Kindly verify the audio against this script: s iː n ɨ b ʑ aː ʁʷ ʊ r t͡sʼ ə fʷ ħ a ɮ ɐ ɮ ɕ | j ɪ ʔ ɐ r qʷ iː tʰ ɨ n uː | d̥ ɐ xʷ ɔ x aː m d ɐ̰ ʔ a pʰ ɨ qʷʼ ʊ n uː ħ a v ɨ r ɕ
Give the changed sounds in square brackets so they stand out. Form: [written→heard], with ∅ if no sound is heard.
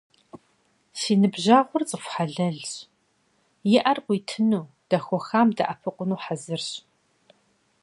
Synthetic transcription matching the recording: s iː n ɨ b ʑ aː ʁʷ ʊ r t͡sʼ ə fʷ ħ a ɮ ɐ ɮ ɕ | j ɪ ʔ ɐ r qʷ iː tʰ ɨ n uː | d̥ ɐ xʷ ɔ x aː m d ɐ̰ ʔ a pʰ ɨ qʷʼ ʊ n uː ħ a [v→z] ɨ r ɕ